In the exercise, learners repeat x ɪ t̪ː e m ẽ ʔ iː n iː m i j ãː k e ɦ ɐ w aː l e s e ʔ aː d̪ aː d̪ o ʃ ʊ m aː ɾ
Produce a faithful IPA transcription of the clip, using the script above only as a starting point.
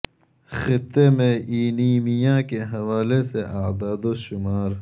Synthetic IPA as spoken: x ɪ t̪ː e m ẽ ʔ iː n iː m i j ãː k e ɦ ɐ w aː l e s e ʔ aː d̪ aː d̪ o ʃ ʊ m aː ɾ